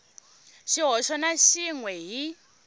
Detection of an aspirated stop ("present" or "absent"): absent